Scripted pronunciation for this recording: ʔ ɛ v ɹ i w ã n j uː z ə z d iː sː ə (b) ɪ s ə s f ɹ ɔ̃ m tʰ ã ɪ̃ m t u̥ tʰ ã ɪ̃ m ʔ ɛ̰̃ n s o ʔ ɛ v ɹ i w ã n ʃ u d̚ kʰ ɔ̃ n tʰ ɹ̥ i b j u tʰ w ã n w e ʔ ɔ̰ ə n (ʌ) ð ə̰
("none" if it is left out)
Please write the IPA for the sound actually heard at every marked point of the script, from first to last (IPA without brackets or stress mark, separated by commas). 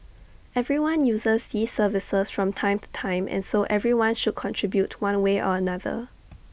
v, a